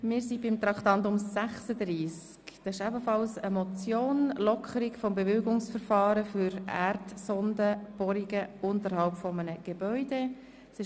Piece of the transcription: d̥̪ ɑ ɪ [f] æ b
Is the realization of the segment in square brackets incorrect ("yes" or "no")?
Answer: yes